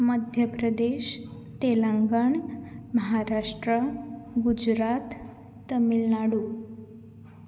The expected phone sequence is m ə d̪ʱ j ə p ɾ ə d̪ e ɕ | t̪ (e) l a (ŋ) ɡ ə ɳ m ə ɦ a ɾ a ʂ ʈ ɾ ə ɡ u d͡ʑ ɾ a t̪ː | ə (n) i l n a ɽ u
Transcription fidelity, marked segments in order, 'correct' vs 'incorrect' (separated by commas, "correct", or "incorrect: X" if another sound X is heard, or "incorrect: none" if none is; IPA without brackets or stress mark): correct, correct, incorrect: m